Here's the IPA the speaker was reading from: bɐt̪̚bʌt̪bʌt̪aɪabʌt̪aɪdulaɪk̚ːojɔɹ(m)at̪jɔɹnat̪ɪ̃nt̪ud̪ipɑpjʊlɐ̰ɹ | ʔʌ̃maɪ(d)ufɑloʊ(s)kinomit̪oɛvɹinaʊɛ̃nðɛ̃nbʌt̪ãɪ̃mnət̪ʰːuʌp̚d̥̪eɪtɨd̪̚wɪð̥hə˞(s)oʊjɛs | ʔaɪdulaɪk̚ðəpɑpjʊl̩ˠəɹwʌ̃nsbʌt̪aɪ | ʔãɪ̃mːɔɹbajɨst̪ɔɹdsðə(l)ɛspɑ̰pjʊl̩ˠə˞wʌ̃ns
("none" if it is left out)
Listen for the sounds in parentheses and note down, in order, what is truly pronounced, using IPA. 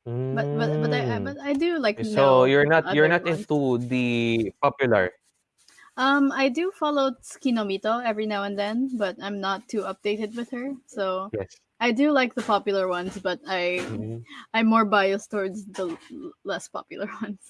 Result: n, d, s, s, l

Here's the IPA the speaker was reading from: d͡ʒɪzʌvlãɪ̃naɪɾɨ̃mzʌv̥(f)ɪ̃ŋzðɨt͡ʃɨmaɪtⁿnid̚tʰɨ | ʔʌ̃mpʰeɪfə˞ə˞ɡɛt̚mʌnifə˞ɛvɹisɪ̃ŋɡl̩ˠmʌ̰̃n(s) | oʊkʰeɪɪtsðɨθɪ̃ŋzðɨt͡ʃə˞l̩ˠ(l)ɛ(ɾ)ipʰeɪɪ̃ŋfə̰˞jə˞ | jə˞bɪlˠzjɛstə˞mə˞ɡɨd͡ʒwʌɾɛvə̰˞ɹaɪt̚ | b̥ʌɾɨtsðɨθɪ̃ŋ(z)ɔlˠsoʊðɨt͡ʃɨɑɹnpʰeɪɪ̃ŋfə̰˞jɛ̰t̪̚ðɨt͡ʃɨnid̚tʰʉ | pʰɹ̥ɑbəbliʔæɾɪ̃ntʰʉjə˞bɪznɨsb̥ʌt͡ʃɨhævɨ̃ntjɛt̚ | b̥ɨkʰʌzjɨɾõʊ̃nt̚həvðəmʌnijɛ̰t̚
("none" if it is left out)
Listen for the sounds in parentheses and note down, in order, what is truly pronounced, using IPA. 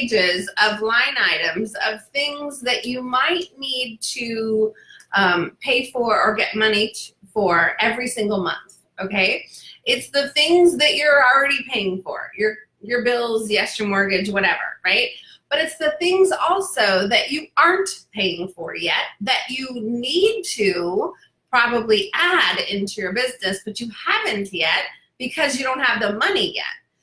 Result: θ, θ, ɹ, ɾ, z

